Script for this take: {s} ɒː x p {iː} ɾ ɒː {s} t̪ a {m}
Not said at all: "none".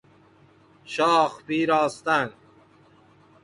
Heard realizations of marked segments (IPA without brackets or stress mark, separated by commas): ʃ, iː, s, n